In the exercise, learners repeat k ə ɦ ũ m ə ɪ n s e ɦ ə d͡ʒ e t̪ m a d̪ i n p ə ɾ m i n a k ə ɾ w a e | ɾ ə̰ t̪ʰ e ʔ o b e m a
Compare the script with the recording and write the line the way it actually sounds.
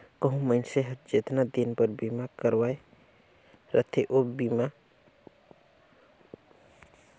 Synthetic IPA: k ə ɦ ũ m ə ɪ n s e ɦ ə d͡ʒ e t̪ n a d̪ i n p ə ɾ b i m a k ə ɾ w a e | ɾ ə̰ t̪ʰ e ʔ o b i m a